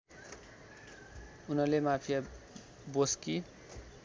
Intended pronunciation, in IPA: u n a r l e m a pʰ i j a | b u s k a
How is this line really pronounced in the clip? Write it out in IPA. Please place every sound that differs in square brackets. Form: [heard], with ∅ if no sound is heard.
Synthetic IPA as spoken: u n [ʌ] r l e m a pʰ i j a | b [o] s k [i]